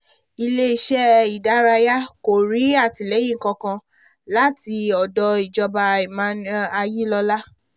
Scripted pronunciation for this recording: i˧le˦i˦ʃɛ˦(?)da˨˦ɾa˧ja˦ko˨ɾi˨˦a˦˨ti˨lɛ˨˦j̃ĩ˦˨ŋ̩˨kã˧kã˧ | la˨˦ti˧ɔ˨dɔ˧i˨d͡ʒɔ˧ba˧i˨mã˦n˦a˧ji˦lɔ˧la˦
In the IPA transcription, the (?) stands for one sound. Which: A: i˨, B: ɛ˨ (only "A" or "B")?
A